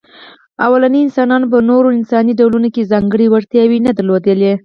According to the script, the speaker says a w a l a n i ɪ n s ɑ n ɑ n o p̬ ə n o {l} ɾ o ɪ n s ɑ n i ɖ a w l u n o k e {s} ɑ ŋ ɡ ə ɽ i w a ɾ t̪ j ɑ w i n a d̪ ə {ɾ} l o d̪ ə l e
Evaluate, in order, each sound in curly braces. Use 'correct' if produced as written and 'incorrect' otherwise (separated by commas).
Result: incorrect, incorrect, correct